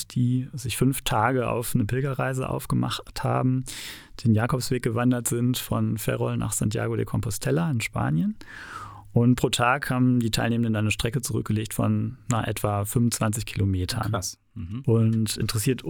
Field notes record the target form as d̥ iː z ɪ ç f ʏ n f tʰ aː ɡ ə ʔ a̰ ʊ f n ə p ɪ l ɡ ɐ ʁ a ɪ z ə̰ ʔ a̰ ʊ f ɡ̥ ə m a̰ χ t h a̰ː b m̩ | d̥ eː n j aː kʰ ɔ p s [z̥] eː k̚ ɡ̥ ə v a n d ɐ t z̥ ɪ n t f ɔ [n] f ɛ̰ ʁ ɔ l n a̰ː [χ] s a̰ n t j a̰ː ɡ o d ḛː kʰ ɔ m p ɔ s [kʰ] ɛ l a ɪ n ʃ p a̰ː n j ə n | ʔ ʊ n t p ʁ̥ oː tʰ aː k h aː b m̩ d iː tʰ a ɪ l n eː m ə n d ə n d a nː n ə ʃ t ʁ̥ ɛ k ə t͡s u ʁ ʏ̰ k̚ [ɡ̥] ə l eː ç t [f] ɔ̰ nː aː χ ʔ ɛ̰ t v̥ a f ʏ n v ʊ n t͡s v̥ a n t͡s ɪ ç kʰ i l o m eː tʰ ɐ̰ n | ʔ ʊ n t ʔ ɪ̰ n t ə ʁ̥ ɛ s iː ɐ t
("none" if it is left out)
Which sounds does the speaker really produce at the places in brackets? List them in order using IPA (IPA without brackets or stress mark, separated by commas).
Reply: v̥, n, χ, tʰ, ɡ̥, f